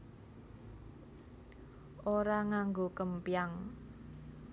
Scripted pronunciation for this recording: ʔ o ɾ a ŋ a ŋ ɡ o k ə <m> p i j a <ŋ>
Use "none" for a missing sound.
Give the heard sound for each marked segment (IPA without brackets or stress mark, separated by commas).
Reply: m, ŋ